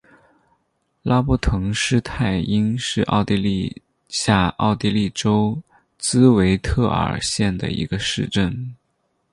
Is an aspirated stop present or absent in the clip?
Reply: present